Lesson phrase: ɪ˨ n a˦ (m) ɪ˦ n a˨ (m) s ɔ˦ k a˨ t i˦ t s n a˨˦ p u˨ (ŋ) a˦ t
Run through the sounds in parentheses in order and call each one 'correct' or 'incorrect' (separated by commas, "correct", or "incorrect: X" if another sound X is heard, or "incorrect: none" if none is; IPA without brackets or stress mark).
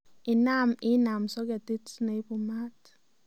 correct, correct, incorrect: m